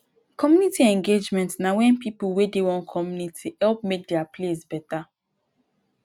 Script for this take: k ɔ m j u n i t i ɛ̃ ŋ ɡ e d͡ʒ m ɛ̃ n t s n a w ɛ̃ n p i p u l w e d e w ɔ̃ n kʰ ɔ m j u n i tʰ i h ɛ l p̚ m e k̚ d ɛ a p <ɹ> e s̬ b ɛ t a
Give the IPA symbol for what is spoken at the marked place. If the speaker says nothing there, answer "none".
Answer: l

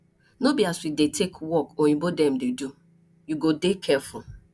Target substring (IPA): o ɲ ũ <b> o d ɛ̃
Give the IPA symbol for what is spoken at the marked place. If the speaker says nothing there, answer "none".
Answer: b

